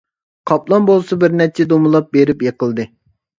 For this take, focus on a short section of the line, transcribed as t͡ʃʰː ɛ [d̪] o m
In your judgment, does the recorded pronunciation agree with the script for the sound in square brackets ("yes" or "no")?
yes